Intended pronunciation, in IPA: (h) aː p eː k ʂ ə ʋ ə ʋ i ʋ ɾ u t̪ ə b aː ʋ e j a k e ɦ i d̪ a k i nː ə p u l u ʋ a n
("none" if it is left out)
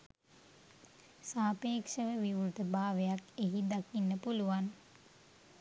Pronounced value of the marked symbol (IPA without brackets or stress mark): s